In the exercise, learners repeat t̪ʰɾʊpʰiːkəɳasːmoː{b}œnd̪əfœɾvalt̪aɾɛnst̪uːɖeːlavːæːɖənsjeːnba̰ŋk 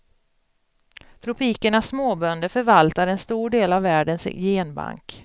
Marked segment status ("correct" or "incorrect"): correct